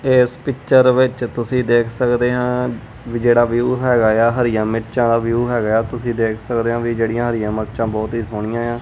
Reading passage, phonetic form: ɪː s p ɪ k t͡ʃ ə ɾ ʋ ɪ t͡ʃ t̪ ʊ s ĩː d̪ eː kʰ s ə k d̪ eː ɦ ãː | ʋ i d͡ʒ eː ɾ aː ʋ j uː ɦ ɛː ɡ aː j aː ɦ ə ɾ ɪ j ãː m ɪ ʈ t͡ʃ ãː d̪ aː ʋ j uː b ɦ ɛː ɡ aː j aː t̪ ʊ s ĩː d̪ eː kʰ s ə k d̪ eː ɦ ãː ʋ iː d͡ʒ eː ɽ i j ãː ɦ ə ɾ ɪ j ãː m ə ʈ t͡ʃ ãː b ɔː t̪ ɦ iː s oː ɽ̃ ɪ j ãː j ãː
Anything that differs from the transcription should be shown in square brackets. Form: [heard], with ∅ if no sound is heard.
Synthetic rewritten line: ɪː s p ɪ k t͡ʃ ə ɾ ʋ ɪ t͡ʃ t̪ ʊ s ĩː d̪ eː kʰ s ə k d̪ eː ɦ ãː | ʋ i d͡ʒ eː [ɽ] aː ʋ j uː ɦ ɛː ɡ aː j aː ɦ ə ɾ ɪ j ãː m ɪ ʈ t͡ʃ ãː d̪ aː ʋ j uː [∅] ɦ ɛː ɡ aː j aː t̪ ʊ s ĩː d̪ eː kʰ s ə k d̪ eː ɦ ãː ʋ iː d͡ʒ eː ɽ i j ãː ɦ ə ɾ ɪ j ãː m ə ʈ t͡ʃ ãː b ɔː t̪ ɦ iː s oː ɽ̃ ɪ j ãː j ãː